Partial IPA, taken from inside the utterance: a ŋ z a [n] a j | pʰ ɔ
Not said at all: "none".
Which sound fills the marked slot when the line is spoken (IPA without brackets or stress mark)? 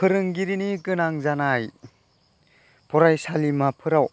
n